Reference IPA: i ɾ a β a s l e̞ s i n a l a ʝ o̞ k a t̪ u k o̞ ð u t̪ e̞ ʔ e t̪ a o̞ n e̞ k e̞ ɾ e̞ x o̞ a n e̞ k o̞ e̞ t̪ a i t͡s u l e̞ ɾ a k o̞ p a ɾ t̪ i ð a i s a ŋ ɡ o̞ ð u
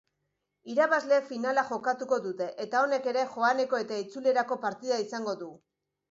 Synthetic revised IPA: i ɾ a β a z l e̞ f i n a l a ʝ o̞ k a t̪ u k o̞ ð u t̪ e̞ ʔ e t̪ a o̞ n e̞ k e̞ ɾ e̞ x o̞ a n e̞ k o̞ e̞ t̪ a i t͡s u l e̞ ɾ a k o̞ p a ɾ t̪ i ð a i s a ŋ ɡ o̞ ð u

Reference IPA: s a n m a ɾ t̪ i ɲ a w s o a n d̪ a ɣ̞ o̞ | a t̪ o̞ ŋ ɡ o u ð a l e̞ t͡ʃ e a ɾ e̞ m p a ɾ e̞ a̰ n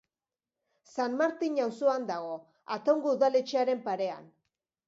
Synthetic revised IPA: s a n m a ɾ t̪ i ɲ a w s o a n d̪ a ɣ̞ o̞ | a t̪ o̞ ŋ ɡ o u ð a l e̞ t͡ʃ e a ɾ e̞ m p a ɾ e̞ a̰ n

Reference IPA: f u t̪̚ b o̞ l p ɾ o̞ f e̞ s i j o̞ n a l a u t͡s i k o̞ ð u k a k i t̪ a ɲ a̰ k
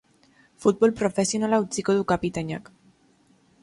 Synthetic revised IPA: f u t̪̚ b o̞ l p ɾ o̞ f e̞ s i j o̞ n a l a u t͡s i k o̞ ð u k a p i t̪ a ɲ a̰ k

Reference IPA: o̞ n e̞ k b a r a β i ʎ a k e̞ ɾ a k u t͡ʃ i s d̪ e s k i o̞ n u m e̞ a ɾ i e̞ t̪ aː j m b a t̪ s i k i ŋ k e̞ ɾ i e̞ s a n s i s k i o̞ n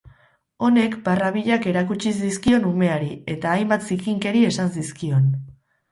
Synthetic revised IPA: o̞ n e̞ k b a r a β i ʎ a k e̞ ɾ a k u t͡ʃ i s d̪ i s k i o̞ n u m e̞ a ɾ i e̞ t̪ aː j m b a t̪ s i k i ŋ k e̞ ɾ i e̞ s a n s i s k i o̞ n

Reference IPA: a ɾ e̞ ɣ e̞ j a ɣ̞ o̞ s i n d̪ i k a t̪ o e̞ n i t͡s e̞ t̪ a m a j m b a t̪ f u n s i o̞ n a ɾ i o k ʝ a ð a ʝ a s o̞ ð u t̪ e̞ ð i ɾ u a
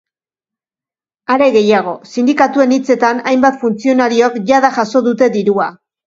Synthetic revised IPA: a ɾ e̞ ɣ e̞ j a ɣ̞ o̞ s i n d̪ i k a t̪ u e̞ n i t͡s e̞ t̪ a n a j m b a t̪ f u n t͡s i o̞ n a ɾ i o k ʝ a ð a ʝ a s o̞ ð u t̪ e̞ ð i ɾ u a

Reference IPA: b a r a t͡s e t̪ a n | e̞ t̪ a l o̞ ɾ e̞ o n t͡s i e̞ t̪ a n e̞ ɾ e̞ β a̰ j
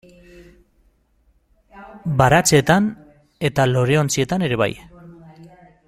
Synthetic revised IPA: b a ɾ a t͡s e t̪ a n | e̞ t̪ a l o̞ ɾ e̞ o n t͡s i e̞ t̪ a n e̞ ɾ e̞ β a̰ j

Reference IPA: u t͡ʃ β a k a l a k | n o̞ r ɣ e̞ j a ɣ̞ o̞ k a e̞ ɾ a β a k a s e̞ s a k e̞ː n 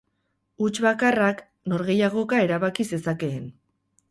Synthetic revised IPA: u t͡ʃ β a k a r a k | n o̞ ɾ ɣ e̞ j a ɣ̞ o̞ k a e̞ ɾ a β a k i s e̞ s a k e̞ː n

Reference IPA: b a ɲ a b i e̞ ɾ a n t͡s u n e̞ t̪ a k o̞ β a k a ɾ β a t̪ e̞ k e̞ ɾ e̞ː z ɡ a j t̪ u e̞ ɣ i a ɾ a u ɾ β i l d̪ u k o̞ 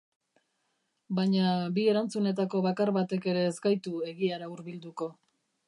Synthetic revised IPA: b a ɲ a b i e̞ ɾ a n t͡s u n e̞ t̪ a k o̞ β a k a ɾ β a t̪ e̞ k e̞ ɾ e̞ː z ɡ a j t̪ u e̞ ɣ i a ɾ a u ɾ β i l d̪ u k o̞

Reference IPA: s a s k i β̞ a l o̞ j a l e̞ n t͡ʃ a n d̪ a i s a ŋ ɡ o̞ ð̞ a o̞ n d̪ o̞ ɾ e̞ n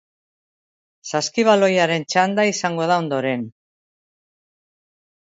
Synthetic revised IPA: s a s k i β̞ a l o̞ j a ɾ e̞ n t͡ʃ a n d̪ a i s a ŋ ɡ o̞ ð̞ a o̞ n d̪ o̞ ɾ e̞ n

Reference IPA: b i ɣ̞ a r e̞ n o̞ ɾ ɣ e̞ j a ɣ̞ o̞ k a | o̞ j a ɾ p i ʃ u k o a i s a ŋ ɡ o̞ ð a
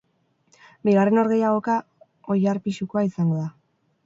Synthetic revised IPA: b i ɣ̞ a r e̞ n o̞ ɾ ɣ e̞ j a ɣ̞ o̞ k a | o̞ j a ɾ p i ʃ u k o a i s a ŋ ɡ o̞ ð a

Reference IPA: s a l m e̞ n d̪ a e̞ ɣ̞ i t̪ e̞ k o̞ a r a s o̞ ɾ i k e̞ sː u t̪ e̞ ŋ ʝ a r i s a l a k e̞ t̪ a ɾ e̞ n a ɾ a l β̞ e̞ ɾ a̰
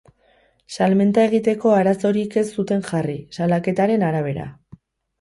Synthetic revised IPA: s a l m e̞ n t̪ a e̞ ɣ̞ i t̪ e̞ k o̞ a ɾ a s o̞ ɾ i k e̞ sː u t̪ e̞ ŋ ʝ a r i s a l a k e̞ t̪ a ɾ e̞ n a ɾ a β̞ e̞ ɾ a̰

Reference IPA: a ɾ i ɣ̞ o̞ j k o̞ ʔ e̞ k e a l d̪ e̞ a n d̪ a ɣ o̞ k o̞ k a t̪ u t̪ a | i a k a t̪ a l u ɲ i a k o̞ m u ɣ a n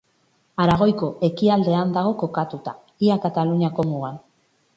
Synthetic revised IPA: a ɾ a ɣ̞ o̞ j k o̞ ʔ e̞ k i a l d̪ e̞ a n d̪ a ɣ o̞ k o̞ k a t̪ u t̪ a | i a k a t̪ a l u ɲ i a k o̞ m u ɣ a n

